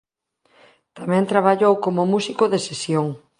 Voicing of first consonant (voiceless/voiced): voiceless